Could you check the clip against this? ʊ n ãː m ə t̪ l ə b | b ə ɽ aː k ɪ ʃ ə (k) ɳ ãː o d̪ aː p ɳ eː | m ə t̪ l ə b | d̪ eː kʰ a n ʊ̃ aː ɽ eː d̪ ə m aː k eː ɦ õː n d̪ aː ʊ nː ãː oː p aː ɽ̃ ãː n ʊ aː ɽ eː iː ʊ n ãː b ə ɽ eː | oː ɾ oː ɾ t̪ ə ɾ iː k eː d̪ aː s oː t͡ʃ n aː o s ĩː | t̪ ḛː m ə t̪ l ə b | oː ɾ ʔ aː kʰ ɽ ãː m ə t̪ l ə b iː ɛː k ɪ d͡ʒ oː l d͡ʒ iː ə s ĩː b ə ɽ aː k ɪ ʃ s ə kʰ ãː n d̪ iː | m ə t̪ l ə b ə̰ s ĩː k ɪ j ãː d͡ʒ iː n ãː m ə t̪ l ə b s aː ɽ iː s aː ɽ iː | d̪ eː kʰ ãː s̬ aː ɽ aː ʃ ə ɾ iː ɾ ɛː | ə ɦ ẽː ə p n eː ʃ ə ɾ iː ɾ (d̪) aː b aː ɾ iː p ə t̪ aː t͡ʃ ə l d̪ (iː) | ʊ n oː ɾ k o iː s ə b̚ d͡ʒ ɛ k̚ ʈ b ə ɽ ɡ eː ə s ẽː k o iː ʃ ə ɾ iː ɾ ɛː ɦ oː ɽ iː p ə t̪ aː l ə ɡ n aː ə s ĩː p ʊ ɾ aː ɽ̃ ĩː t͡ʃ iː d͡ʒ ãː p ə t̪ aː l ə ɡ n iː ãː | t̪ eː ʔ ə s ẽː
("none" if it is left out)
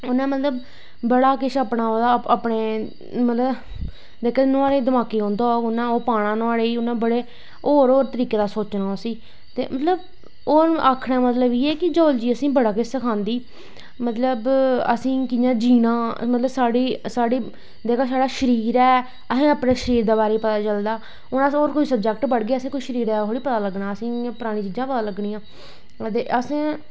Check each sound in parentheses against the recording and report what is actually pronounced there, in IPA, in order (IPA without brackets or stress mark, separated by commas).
p, d̪, aː